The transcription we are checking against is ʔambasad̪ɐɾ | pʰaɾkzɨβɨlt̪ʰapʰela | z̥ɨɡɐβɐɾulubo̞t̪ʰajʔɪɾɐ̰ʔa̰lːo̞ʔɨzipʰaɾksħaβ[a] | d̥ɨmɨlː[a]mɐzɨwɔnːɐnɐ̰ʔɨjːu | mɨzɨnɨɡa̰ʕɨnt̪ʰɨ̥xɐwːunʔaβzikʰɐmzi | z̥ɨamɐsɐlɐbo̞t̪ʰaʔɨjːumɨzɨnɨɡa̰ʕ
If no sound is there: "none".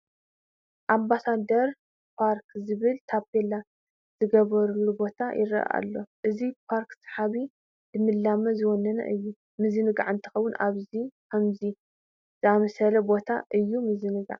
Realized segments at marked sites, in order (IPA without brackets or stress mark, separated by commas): i, a